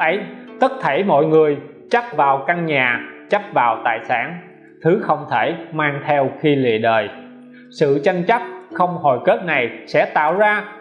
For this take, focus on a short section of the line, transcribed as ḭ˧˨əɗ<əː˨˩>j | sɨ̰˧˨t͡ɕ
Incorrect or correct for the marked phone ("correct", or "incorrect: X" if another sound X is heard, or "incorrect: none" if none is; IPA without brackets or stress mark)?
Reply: correct